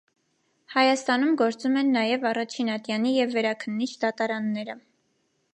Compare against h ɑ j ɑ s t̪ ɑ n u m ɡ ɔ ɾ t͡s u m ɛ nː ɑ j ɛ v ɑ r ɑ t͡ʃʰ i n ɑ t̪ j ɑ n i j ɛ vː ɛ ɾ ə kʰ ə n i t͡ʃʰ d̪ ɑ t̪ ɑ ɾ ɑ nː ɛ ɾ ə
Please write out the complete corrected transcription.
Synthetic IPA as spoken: h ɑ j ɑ s t̪ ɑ n u m ɡ ɔ ɾ t͡s u m ɛ nː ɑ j ɛ v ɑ r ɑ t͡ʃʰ i n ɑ t̪ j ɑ n i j ɛ vː ɛ ɾ ɑ kʰ ə nː i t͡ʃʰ d̪ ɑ t̪ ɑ ɾ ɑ nː ɛ ɾ ə